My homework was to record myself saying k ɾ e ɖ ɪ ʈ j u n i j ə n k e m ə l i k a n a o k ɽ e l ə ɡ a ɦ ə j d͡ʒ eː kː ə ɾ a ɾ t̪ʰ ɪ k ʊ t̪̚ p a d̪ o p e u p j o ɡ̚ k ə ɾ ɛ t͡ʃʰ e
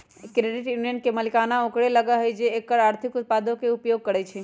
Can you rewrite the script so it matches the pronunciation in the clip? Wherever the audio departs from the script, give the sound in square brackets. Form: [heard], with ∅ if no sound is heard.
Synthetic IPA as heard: k ɾ e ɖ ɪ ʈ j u n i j ə n k e m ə l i k a n a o k ɽ e l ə ɡ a ɦ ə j d͡ʒ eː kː ə ɾ a ɾ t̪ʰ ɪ k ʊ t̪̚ p a d̪ o [k] e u p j o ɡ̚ k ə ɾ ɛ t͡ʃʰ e